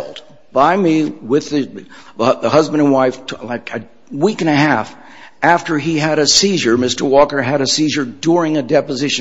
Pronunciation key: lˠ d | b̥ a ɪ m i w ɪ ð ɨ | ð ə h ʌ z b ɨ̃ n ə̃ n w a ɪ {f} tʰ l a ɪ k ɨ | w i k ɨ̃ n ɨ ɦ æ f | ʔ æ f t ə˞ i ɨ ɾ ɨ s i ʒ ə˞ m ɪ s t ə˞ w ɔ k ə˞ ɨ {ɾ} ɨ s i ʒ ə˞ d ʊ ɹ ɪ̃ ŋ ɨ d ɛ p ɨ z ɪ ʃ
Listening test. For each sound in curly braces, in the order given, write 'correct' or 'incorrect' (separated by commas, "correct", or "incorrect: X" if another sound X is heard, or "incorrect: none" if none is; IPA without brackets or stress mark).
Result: correct, correct